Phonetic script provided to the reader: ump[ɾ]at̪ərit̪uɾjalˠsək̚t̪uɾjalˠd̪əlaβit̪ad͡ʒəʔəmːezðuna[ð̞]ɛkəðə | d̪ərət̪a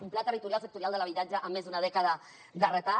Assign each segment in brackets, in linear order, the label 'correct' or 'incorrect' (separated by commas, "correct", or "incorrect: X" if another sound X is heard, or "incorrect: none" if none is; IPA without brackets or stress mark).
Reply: incorrect: l, correct